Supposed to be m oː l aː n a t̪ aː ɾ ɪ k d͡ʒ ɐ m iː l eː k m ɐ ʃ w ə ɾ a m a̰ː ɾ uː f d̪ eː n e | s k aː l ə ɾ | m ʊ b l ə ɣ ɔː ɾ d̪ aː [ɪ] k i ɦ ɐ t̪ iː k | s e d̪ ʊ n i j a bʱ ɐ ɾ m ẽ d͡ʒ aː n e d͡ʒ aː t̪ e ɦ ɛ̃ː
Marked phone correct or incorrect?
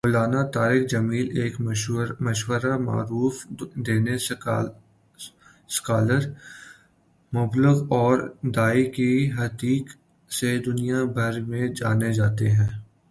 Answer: incorrect